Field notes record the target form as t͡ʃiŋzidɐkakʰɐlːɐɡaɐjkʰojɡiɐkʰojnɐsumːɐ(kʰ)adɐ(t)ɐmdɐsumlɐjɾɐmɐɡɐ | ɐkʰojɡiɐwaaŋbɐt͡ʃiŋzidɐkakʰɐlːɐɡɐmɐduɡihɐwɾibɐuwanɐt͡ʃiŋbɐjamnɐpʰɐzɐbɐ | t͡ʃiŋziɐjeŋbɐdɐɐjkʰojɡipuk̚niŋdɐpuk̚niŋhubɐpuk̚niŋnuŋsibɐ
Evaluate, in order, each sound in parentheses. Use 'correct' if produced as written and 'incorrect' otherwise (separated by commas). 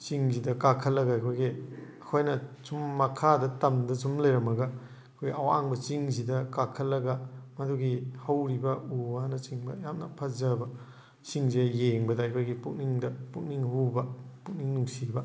correct, correct